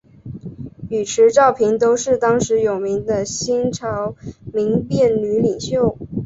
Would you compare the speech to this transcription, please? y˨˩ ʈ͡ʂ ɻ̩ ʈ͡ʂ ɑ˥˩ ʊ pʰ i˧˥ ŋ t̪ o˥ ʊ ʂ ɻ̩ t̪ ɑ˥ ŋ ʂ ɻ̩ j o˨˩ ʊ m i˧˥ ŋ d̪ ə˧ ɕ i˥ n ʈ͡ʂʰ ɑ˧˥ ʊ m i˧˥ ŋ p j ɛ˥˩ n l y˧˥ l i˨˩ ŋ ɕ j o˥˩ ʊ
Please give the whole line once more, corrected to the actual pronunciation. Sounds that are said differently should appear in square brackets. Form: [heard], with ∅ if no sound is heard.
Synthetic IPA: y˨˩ [ʈ͡ʂʰ] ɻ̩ ʈ͡ʂ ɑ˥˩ ʊ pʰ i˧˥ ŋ t̪ o˥ ʊ ʂ ɻ̩ t̪ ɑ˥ ŋ ʂ ɻ̩ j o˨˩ ʊ m i˧˥ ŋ d̪ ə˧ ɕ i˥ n ʈ͡ʂʰ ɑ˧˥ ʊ m i˧˥ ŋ p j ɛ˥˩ n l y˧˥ l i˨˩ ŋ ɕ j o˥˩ ʊ